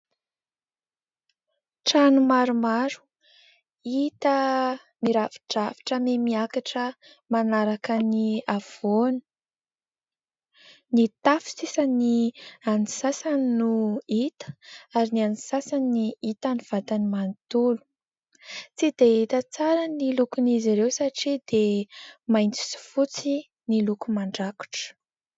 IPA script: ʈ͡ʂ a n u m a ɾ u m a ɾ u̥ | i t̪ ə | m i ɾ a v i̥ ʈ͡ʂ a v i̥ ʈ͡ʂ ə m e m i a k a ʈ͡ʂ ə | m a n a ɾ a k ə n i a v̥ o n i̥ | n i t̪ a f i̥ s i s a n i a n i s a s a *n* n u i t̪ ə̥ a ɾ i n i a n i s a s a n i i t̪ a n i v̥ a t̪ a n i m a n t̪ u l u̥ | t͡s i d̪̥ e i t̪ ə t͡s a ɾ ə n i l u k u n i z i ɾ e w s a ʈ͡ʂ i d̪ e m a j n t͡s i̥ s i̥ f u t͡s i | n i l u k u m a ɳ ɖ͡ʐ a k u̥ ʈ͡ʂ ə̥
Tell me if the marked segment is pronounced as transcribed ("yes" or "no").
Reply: yes